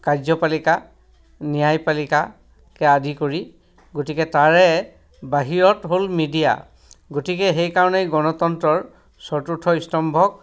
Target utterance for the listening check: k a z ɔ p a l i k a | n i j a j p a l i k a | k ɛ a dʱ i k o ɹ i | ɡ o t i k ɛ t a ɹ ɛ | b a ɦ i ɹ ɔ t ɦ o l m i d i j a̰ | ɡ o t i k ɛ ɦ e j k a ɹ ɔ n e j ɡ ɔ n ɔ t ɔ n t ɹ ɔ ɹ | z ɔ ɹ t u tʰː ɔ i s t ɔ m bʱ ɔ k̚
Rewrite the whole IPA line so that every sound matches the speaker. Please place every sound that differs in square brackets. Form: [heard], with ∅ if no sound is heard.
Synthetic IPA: k a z ɔ p a l i k a | n i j a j p a l i k a | k ɛ a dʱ i k o ɹ i | ɡ o t i k ɛ t a ɹ ɛ | b a ɦ i ɹ ɔ t ɦ o l m i d i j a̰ | ɡ o t i k ɛ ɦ e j k a ɹ ɔ n e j ɡ ɔ n ɔ t ɔ n t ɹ ɔ ɹ | [s] ɔ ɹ t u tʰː ɔ i s t ɔ m bʱ ɔ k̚